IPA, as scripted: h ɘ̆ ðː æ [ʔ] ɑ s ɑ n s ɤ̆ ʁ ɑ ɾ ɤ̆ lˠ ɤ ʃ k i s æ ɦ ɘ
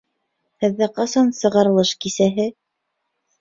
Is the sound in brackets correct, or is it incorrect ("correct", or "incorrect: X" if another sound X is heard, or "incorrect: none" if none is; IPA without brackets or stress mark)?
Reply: incorrect: q